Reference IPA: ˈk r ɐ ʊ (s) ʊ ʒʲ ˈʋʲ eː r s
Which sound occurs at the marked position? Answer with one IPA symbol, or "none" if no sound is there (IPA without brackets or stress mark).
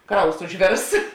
s